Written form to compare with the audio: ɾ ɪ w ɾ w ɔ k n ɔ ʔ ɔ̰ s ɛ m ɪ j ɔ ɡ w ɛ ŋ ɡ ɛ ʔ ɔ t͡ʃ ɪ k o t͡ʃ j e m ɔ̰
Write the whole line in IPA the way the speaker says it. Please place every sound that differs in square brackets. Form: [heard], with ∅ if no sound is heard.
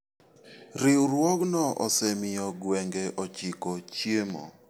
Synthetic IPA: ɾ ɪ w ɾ w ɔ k n ɔ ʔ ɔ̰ s ɛ m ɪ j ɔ ɡ w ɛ ŋ ɡ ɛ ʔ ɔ t͡ʃ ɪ k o t͡ʃ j e m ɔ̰

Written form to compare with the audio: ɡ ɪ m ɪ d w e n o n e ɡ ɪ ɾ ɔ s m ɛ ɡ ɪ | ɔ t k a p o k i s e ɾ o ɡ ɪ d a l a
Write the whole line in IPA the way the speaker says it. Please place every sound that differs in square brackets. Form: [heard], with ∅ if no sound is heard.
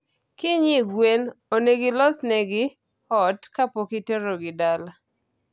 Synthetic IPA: [k] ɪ [ɲ] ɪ [ɡ] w e n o n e ɡ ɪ [l] ɔ s [n] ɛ ɡ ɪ | ɔ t k a p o k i [t] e ɾ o ɡ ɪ d a l a

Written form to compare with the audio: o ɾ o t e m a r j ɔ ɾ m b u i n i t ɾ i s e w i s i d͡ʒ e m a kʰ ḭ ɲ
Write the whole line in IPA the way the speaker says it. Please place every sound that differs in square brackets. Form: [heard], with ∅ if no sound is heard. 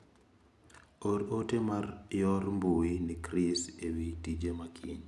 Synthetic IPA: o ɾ o t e m a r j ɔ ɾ m b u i n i [k] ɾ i s e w i [t] i d͡ʒ e m a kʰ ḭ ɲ

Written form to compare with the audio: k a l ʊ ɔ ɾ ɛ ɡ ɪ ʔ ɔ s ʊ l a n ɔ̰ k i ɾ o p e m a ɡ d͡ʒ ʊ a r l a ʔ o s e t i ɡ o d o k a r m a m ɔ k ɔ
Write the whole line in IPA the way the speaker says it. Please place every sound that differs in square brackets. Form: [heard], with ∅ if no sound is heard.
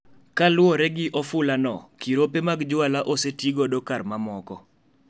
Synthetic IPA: k a l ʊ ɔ ɾ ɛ ɡ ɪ ʔ ɔ [f] ʊ l a n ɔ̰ k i ɾ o p e m a ɡ d͡ʒ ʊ a [∅] l a ʔ o s e t i ɡ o d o k a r m a m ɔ k ɔ

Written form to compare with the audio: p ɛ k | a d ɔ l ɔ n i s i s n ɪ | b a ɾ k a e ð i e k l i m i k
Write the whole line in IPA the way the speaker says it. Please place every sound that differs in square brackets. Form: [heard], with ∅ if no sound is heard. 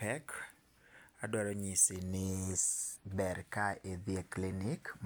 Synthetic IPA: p ɛ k | a d ɔ [ɾ] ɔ [ɲ] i s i [∅] n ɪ | b [ɛ] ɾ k a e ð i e k l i [n] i k

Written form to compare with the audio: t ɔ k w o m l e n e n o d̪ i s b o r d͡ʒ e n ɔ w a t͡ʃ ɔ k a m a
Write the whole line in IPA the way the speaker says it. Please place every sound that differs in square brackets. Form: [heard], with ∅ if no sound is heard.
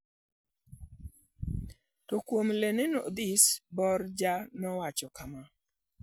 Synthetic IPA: t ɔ k w o m l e n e n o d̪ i s b [ɔ] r d͡ʒ [a] n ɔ w a t͡ʃ ɔ k a m a

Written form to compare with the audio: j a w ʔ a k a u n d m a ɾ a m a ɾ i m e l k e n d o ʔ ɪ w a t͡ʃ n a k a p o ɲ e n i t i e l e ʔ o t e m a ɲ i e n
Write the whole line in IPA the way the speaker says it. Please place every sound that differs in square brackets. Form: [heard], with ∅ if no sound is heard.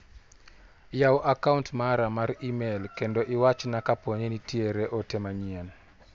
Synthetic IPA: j a w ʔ a k a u n [t] m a ɾ a m a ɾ i m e l k e n d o ʔ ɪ w a t͡ʃ n a k a p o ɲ e n i t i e [ɾ] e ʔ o t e m a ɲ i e n

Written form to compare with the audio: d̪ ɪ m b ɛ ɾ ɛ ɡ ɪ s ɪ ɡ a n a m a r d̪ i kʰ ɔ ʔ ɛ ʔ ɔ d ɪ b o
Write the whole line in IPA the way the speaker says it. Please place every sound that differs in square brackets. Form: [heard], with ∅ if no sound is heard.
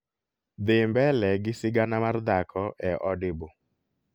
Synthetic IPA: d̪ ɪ m b ɛ [l] ɛ ɡ ɪ s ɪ ɡ a n a m a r d̪ [a] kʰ ɔ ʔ ɛ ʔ ɔ d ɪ b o

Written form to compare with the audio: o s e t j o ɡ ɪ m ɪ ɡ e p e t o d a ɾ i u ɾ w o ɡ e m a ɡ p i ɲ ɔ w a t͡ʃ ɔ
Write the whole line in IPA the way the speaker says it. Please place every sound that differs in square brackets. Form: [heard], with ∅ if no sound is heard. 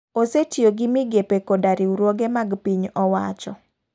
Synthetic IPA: o s e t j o ɡ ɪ m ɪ ɡ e p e [k] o d a ɾ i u ɾ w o ɡ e m a ɡ p i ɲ ɔ w a t͡ʃ ɔ

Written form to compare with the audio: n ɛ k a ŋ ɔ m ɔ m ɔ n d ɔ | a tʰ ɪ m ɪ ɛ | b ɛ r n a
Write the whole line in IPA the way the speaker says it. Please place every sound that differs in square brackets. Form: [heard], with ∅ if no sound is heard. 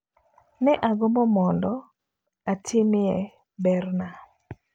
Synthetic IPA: n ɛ [ʔ] a [ɡ] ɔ m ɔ m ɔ n d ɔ | a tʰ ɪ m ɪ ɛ | b ɛ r n a

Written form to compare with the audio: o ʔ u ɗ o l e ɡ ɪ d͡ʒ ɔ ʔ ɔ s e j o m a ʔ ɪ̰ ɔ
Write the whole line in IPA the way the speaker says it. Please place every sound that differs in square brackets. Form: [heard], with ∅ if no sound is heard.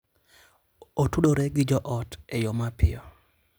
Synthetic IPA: o [t] u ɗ o [ɾ] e ɡ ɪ d͡ʒ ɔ ʔ ɔ [t] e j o m a [p] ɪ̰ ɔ

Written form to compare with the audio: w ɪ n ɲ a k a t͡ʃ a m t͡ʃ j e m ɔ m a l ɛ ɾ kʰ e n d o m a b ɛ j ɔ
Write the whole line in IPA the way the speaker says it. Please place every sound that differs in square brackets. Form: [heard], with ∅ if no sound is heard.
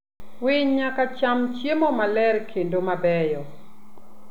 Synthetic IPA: w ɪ [ɲ] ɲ a k a t͡ʃ a m t͡ʃ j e m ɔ m a l ɛ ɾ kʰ e n d o m a b ɛ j ɔ

